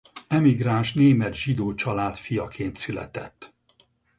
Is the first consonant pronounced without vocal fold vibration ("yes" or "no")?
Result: no